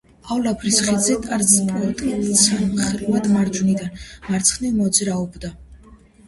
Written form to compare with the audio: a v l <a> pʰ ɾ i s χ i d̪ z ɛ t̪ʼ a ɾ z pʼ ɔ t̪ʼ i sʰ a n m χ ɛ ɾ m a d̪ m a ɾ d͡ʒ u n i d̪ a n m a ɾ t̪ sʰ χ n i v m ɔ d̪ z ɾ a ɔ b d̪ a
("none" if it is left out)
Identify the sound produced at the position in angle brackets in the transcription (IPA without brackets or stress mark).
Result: a